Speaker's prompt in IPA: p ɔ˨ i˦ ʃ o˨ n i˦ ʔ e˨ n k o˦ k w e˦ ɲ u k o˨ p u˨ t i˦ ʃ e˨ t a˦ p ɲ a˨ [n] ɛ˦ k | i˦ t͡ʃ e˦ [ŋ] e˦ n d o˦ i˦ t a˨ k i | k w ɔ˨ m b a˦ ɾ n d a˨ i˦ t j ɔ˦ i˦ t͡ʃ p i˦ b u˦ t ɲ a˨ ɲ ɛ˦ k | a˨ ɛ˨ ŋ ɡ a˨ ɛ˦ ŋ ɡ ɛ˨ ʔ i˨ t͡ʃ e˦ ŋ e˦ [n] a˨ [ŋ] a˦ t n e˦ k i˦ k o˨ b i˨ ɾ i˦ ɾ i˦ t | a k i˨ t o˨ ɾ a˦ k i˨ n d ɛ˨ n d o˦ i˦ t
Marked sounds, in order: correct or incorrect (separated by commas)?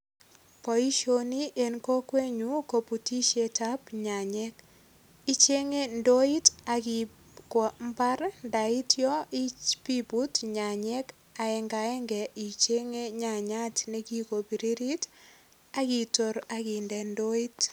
incorrect, correct, incorrect, incorrect